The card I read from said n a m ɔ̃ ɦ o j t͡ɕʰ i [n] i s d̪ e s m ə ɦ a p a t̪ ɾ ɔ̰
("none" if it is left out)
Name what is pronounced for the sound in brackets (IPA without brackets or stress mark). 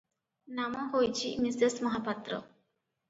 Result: m